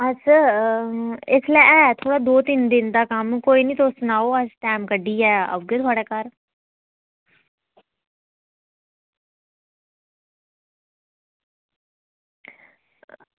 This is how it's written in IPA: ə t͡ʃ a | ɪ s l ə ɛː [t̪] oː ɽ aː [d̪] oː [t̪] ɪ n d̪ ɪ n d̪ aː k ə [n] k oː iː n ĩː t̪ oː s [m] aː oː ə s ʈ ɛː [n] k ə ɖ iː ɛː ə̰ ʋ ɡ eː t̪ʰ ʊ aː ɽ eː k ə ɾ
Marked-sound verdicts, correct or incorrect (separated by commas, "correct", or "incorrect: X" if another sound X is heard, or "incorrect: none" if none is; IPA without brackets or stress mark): incorrect: t̪ʰ, correct, correct, incorrect: m, incorrect: n, incorrect: m